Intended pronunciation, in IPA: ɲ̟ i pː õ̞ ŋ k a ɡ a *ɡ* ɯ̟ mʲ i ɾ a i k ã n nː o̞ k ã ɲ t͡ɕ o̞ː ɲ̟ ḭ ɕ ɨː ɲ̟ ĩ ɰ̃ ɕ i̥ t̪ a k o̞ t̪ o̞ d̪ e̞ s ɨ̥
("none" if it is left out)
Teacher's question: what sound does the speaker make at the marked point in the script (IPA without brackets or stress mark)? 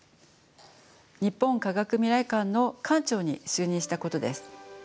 k